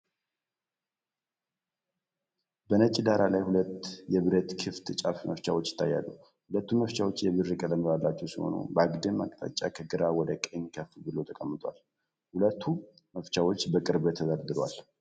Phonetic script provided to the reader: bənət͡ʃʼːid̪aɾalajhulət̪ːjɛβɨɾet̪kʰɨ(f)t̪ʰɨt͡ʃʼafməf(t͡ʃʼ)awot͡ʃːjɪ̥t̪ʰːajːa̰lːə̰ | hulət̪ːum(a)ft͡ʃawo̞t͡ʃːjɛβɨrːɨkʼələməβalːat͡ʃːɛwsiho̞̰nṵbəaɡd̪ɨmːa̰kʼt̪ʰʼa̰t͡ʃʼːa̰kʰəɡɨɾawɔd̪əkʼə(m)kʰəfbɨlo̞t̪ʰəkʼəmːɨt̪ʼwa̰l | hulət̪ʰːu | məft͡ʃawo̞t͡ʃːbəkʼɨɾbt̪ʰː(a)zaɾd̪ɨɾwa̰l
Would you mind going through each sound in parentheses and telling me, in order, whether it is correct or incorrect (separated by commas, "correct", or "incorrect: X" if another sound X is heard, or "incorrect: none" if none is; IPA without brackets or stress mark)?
correct, incorrect: t͡ʃ, incorrect: ə, incorrect: ɲ, incorrect: ə